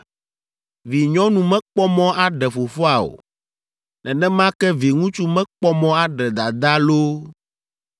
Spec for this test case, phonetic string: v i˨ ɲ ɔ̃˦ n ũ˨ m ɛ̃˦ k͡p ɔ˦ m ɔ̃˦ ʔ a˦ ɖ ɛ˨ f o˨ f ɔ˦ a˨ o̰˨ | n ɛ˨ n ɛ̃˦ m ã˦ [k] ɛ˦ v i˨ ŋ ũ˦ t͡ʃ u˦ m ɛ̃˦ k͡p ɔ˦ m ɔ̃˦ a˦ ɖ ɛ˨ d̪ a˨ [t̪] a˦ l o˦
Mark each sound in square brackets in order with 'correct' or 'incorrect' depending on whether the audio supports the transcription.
correct, incorrect

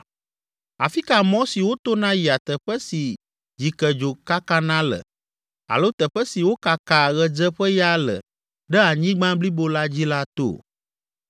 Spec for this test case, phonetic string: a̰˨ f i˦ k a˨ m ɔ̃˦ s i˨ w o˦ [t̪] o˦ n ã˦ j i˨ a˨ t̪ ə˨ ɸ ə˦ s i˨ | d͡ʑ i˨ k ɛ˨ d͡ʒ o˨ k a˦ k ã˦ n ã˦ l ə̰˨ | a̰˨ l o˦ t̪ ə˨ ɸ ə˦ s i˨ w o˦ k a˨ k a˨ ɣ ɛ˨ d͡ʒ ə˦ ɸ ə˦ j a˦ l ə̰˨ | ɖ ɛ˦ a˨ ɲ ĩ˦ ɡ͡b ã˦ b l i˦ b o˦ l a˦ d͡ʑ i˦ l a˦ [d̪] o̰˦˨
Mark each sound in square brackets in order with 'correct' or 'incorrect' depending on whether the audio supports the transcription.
correct, incorrect

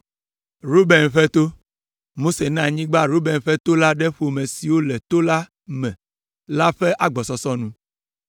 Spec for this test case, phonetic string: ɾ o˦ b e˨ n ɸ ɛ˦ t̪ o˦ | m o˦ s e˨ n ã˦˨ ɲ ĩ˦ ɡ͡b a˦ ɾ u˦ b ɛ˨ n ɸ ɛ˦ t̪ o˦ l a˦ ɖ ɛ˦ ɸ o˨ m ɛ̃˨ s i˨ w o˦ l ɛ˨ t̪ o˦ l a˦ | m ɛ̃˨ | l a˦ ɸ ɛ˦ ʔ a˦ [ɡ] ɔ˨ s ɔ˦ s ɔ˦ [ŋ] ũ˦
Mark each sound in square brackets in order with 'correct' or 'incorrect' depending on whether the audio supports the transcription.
incorrect, incorrect

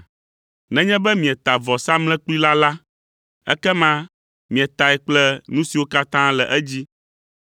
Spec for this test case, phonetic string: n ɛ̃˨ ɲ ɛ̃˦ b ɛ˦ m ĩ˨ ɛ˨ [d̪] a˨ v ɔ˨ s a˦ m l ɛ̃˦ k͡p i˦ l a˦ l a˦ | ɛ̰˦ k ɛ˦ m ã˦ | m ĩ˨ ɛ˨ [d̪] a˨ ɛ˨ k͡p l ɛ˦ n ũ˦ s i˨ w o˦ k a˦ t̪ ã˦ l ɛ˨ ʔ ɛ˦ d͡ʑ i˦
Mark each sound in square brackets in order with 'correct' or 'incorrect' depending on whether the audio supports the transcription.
incorrect, incorrect

